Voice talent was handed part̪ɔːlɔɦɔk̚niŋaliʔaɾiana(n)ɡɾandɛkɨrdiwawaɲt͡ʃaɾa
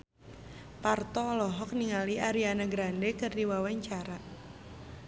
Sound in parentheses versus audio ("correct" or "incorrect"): incorrect